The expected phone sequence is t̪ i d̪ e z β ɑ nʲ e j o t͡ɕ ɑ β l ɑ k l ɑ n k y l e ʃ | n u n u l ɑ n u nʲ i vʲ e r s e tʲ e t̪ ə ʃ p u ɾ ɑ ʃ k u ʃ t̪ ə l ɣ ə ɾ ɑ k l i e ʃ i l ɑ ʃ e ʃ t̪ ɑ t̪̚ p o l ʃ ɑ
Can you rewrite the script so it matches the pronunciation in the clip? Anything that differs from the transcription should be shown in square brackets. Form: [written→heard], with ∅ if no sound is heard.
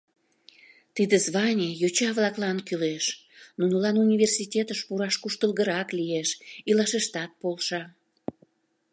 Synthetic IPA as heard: t̪ i d̪ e z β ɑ nʲ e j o t͡ɕ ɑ β l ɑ k l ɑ n k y l e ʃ | n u n u l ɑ n u nʲ i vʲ e r s [e→i] tʲ e t̪ ə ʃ p u ɾ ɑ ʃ k u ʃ t̪ ə l ɣ ə ɾ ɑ k l i e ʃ i l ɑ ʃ e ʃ t̪ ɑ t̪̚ p o l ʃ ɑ